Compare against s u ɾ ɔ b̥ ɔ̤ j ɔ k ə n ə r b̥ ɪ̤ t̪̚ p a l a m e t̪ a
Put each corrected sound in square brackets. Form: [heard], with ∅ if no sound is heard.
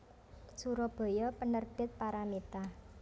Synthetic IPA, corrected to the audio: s u ɾ ɔ b̥ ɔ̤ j ɔ [p] ə n ə r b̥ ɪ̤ t̪̚ p a [ɾ] a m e t̪ a